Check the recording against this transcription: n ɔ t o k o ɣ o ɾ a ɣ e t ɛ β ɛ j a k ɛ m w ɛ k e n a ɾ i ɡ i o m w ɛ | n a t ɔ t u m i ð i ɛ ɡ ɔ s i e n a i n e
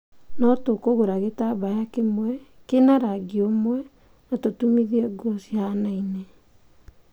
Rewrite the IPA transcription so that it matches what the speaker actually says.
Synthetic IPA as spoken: n ɔ t o k o ɣ o ɾ a ɣ e t a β a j a k e m w ɛ k e n a ɾ a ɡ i o m w ɛ | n a t o t u m i ð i ɛ ɡ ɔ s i a n a i n e